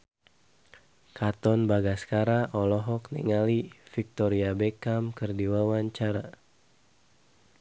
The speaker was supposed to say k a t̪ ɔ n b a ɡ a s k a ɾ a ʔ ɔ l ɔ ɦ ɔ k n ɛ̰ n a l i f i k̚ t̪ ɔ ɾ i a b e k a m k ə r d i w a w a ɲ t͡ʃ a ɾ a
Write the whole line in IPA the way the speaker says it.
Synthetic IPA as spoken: k a t̪ ɔ n b a ɡ a s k a ɾ a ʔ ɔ l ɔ ɦ ɔ k n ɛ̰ ŋ a l i f i k̚ t̪ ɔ ɾ i a b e k a m k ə r d i w a w a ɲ t͡ʃ a ɾ a